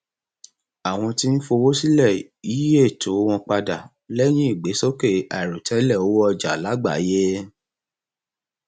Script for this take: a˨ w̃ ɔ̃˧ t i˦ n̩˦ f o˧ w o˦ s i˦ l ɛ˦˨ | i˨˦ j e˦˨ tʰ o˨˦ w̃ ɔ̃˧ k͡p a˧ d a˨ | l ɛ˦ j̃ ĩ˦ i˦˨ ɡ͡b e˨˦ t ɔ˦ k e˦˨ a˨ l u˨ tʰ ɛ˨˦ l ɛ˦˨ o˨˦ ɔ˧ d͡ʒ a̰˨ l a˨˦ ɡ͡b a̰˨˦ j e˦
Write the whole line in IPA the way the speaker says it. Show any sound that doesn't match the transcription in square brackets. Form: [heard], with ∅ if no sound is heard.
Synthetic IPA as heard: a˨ w̃ ɔ̃˧ t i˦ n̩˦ f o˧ w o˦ s i˦ l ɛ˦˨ | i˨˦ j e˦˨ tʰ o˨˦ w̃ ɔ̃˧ k͡p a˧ d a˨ | l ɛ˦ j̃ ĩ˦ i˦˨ ɡ͡b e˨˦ [s] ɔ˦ k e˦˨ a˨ [ɾ] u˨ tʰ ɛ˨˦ l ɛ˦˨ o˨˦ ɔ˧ d͡ʒ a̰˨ l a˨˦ ɡ͡b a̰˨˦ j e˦